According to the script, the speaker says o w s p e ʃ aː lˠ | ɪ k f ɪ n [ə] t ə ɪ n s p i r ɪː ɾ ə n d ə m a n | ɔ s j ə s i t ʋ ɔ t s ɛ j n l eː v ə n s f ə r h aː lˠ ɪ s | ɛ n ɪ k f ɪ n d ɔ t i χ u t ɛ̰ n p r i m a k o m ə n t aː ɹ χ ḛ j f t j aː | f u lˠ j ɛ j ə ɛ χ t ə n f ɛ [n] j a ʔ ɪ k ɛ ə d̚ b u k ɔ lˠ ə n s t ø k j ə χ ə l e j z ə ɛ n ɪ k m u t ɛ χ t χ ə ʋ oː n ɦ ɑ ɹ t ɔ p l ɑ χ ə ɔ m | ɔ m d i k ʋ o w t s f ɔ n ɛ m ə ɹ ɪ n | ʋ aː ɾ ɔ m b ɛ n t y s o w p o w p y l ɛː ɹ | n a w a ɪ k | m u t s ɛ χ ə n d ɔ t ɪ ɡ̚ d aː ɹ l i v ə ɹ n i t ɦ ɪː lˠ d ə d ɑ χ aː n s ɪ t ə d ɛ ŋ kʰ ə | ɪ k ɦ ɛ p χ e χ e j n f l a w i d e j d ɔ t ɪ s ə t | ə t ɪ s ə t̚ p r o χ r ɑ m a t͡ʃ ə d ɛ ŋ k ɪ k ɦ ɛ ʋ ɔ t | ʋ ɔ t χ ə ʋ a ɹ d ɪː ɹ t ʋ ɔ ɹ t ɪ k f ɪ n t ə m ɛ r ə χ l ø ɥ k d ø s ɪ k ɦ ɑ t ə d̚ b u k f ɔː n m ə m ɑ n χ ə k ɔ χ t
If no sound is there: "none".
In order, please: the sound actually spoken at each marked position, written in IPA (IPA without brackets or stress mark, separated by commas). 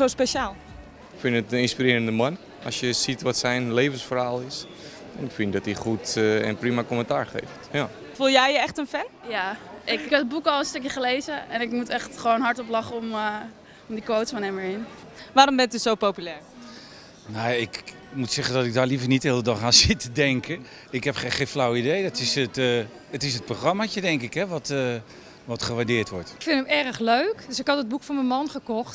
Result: ə, n